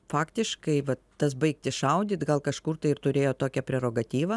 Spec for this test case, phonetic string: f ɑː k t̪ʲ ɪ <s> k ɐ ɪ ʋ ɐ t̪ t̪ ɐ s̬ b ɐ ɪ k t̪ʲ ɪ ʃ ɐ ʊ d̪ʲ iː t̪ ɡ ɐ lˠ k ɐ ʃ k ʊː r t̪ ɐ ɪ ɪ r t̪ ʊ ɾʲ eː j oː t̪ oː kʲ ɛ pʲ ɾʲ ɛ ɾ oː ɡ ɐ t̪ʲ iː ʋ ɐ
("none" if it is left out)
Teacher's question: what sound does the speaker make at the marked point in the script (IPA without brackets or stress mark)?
ʃ